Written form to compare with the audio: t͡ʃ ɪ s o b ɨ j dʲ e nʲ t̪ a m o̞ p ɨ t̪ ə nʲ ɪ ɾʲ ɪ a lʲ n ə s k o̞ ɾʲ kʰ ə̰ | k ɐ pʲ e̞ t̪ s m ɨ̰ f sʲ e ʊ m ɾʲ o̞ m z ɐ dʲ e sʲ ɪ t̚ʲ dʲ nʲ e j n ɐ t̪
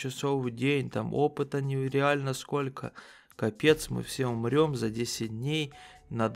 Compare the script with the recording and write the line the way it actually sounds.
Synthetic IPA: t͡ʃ ɪ s o v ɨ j dʲ e nʲ t̪ a m o̞ p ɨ t̪ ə nʲ ɪ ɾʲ ɪ a lʲ n ə s k o̞ lʲ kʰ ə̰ | k ɐ pʲ e̞ t̪ s m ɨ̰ f sʲ e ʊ m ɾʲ o̞ m z ɐ dʲ e sʲ ɪ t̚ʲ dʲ nʲ e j n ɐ d̪